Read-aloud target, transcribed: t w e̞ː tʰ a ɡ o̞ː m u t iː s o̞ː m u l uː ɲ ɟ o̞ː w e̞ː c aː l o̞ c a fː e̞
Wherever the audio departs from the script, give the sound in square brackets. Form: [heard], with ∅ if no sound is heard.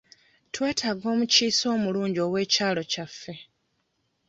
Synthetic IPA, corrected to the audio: t w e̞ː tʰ a ɡ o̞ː m u [c] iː s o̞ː m u l uː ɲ ɟ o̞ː w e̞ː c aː l o̞ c a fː e̞